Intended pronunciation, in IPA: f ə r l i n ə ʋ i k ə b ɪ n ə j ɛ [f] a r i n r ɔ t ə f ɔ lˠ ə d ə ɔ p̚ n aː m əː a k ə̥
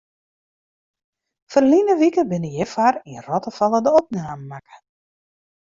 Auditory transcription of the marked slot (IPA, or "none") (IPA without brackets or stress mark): f